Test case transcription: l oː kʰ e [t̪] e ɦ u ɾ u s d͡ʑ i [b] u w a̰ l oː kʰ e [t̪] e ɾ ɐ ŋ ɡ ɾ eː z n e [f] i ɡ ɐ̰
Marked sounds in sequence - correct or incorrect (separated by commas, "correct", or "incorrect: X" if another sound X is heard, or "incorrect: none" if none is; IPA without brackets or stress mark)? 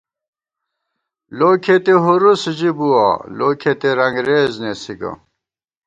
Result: correct, correct, correct, incorrect: s